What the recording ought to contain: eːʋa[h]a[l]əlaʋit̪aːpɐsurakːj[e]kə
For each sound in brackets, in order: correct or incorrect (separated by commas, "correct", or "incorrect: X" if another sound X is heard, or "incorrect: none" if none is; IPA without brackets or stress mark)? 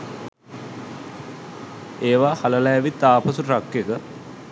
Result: correct, correct, correct